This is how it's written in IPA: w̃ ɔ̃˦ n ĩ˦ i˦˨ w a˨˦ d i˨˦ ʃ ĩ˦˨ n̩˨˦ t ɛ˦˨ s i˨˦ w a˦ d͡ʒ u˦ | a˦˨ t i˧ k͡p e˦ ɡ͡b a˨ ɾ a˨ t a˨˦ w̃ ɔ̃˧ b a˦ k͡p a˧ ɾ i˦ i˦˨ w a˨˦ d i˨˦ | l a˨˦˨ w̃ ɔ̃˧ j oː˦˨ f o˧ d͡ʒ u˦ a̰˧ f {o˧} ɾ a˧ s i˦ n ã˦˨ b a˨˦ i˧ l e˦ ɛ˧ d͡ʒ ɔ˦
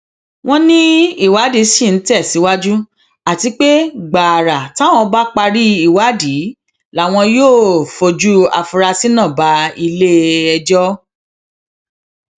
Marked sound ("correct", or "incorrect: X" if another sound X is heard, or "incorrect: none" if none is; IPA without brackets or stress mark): incorrect: u˧